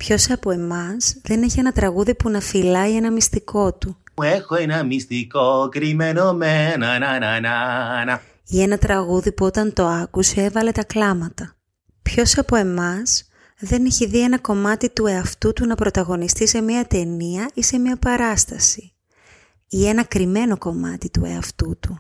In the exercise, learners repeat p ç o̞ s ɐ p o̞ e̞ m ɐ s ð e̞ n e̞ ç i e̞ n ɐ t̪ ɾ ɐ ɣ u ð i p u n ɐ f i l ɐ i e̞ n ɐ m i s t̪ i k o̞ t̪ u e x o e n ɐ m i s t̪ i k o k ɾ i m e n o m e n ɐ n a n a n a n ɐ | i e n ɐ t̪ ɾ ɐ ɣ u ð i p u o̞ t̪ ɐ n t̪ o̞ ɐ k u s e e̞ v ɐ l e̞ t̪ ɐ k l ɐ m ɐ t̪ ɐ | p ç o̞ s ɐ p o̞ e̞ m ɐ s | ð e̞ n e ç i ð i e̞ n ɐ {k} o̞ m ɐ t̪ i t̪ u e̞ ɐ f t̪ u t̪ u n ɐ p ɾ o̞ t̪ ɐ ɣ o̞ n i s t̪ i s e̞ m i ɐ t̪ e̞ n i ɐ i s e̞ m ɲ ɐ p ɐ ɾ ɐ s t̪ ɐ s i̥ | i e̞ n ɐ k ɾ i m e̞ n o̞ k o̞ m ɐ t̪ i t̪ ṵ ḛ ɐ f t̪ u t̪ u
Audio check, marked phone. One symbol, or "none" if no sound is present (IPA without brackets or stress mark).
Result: k